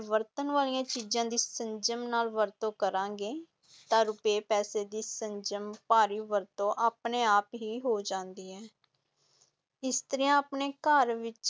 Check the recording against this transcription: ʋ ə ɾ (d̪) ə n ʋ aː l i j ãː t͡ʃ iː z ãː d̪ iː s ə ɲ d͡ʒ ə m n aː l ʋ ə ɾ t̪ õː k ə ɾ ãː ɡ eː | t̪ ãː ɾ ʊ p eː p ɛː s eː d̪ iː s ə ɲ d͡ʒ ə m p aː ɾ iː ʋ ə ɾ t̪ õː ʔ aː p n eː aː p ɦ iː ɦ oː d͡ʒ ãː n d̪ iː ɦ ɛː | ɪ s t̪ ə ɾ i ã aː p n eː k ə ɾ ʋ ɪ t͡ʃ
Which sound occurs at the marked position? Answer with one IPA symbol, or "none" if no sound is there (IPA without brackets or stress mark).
t̪